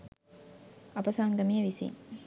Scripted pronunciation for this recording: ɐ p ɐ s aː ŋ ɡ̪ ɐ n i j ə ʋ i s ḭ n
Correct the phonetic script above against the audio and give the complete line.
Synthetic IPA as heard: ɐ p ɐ s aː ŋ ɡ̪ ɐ m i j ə ʋ i s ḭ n